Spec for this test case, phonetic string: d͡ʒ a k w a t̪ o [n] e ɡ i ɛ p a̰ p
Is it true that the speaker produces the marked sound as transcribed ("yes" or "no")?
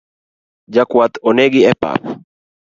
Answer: yes